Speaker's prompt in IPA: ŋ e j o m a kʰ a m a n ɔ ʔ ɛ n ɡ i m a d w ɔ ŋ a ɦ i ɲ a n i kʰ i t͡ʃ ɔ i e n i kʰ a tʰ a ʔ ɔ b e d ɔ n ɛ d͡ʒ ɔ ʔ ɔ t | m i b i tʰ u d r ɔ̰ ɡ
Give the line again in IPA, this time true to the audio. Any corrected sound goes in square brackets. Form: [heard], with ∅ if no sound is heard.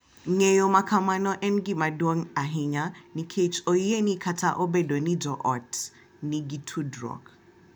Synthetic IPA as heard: ŋ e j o m a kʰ a m a n ɔ ʔ ɛ n ɡ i m a d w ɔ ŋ a ɦ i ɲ a n i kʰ [e] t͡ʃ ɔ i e n i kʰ a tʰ a ʔ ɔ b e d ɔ n [i] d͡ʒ ɔ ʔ ɔ t | [n] i [ɡ] i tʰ u d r ɔ̰ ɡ